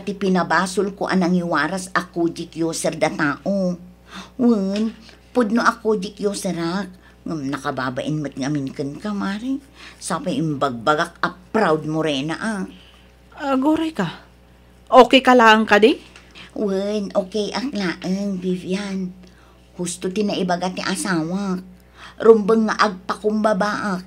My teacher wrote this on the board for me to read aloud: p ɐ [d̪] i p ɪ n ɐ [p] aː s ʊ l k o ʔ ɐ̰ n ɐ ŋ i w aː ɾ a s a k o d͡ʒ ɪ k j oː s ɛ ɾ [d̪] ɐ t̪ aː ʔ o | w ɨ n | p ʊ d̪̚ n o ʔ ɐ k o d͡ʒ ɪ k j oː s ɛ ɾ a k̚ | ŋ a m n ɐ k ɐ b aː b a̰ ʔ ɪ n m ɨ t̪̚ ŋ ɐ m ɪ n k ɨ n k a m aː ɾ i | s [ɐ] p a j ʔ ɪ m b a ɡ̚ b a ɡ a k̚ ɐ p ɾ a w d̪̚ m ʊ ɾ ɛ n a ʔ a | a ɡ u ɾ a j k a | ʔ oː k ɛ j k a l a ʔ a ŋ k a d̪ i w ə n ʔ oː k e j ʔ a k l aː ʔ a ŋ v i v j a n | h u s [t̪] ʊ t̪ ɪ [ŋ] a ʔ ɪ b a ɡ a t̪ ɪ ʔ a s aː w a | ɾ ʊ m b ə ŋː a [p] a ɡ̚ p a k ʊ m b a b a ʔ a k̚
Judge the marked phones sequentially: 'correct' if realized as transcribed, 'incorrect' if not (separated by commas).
incorrect, incorrect, correct, incorrect, correct, incorrect, incorrect